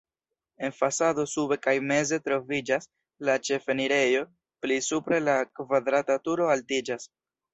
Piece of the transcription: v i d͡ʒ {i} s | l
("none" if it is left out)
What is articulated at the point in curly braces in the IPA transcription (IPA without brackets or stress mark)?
a